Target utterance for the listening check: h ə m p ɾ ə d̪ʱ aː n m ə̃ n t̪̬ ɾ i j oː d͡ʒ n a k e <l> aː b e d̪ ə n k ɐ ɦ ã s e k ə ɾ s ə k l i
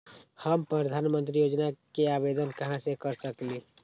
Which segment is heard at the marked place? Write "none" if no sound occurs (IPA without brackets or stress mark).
none